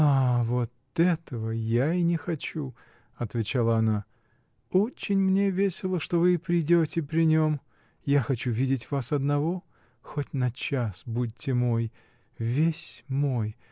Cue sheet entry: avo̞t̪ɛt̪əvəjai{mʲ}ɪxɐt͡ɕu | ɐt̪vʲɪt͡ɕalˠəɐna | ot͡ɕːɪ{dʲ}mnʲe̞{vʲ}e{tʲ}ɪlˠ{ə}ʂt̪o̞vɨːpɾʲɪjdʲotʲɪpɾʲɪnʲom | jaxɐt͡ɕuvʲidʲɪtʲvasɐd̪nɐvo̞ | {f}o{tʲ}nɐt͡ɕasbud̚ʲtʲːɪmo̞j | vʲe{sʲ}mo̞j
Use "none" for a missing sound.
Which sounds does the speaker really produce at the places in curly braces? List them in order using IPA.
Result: nʲ, nʲ, vʲ, sʲ, ə, x, tʲ, sʲ

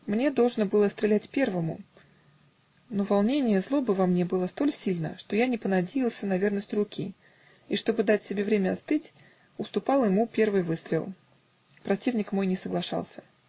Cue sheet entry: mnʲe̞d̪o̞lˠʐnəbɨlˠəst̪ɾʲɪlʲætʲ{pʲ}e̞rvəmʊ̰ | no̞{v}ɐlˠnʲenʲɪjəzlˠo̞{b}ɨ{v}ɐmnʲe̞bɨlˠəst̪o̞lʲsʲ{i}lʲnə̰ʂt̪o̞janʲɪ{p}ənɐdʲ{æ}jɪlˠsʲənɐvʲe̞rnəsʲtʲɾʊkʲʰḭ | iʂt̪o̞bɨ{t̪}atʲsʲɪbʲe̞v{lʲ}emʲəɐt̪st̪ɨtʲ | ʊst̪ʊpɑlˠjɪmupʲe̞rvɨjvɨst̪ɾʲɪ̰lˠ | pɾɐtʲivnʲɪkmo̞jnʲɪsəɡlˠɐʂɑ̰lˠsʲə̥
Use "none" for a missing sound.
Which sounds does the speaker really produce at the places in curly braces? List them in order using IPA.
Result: pʲ, v, b, v, i, p, e, d̪, ɾʲ

